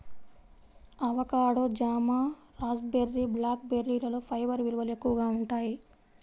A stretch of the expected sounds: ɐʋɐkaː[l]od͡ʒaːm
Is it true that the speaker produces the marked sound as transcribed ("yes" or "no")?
no